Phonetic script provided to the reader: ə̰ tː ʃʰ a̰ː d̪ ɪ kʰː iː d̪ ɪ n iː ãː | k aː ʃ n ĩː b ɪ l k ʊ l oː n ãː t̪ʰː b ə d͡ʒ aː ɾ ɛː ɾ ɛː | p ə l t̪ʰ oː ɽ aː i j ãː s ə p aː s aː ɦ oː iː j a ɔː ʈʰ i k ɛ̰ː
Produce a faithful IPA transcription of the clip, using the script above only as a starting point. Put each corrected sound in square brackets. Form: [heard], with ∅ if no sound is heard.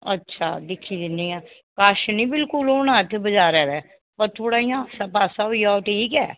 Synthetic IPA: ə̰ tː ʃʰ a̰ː d̪ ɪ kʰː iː d̪ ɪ n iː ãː | k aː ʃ n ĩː b ɪ l k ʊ l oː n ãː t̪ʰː b ə d͡ʒ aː ɾ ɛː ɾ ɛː | p ə [ɾ] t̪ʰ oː ɽ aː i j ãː s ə p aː s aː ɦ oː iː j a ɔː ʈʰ [iː] k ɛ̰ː